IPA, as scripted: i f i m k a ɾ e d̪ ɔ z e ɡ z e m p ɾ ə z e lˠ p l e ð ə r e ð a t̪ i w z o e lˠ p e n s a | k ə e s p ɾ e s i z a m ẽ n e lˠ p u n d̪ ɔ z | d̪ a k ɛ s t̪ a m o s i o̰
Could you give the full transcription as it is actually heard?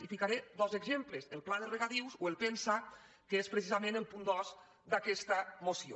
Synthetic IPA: i f i k a ɾ e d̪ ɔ z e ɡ z e m p l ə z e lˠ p l a ð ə r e ɣ a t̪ i w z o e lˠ p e n s a | k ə e s p ɾ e s i z a m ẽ n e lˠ p u n d̪ ɔ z | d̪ a k ɛ s t̪ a m o s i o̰